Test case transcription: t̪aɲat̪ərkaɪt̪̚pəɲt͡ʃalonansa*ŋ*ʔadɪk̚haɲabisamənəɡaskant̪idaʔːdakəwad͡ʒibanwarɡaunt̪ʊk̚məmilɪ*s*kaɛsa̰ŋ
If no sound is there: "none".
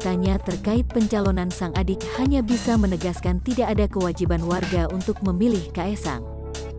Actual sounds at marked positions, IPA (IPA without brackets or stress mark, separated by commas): ŋ, h